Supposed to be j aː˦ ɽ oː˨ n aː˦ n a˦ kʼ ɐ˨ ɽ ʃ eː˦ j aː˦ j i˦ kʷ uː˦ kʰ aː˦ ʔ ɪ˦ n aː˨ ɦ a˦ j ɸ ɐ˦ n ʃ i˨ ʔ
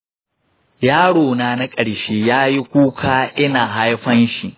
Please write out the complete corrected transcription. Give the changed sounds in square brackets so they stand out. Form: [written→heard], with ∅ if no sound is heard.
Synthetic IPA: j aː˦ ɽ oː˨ n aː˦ n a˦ kʼ ɐ˨ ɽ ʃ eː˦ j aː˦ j i˦ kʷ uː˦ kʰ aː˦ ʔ ɪ˦ n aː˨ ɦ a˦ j ɸ ɐ˦ n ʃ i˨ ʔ

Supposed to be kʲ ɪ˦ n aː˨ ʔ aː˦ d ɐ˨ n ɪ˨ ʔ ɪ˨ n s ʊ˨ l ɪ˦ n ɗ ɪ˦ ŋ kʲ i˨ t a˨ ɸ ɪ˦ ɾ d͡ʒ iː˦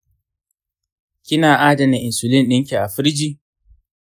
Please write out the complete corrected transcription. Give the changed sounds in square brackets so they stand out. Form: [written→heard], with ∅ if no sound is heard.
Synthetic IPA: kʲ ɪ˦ n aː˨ ʔ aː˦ d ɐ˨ n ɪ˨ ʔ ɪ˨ n s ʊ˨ l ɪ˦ n ɗ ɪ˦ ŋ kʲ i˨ [t→ʔ] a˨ ɸ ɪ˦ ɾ d͡ʒ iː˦

